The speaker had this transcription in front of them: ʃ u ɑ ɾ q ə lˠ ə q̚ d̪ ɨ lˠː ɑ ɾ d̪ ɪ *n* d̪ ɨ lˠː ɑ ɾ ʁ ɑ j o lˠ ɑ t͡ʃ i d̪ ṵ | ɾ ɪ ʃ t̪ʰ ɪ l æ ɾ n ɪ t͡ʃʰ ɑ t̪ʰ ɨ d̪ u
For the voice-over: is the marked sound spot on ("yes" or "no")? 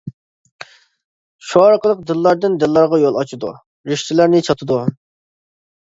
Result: yes